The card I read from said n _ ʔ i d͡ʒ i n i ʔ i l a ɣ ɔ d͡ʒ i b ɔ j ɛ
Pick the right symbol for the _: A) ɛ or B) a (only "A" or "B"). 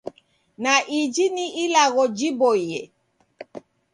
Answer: B